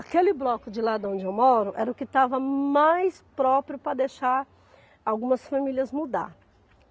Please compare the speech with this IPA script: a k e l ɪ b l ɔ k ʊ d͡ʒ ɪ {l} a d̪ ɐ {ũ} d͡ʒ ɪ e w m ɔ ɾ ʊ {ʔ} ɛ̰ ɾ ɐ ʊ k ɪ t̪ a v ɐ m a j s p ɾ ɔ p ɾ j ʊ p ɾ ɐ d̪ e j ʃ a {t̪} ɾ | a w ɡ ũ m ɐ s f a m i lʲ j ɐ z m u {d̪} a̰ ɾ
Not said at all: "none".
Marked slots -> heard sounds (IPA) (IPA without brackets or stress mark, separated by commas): l, õ, ʔ, none, d̪